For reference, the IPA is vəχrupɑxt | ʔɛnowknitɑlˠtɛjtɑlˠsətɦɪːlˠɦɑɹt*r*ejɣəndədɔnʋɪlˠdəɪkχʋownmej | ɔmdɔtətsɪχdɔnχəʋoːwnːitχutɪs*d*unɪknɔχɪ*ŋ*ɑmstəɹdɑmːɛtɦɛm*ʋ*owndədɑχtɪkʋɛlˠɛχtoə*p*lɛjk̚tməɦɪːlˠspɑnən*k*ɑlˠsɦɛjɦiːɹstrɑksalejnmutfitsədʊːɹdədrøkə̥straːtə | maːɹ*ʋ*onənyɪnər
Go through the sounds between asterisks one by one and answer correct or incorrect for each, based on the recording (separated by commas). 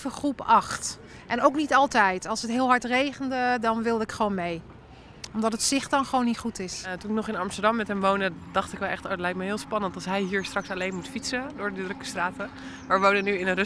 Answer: correct, incorrect, incorrect, correct, incorrect, incorrect, correct